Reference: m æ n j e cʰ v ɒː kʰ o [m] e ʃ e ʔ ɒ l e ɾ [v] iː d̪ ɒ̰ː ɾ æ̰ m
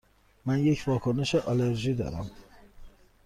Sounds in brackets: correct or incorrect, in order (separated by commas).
incorrect, incorrect